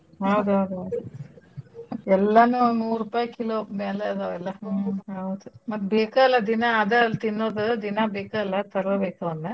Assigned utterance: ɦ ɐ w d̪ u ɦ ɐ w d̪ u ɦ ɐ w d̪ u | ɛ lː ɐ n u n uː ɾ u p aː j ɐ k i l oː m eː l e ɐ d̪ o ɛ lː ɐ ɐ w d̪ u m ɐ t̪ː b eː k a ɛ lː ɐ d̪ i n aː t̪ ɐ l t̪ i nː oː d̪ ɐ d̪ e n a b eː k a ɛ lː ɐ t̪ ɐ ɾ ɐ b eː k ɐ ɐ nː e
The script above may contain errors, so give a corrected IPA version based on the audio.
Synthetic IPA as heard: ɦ ɐ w d̪ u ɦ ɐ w d̪ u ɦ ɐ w d̪ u | ɛ lː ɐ n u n uː ɾ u p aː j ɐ k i l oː m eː l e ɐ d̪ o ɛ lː ɐ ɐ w d̪ u m ɐ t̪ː b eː k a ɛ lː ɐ d̪ i n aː d̪ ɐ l t̪ i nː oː d̪ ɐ d̪ i n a b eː k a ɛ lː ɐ t̪ ɐ ɾ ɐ b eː k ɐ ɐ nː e